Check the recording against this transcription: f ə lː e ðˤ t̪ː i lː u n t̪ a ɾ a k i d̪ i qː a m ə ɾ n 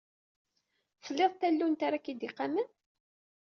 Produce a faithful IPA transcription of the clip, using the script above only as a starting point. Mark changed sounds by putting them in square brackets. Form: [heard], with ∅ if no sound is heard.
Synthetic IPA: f ə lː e ðˤ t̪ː [æ] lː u n t̪ a ɾ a k i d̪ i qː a m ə [∅] n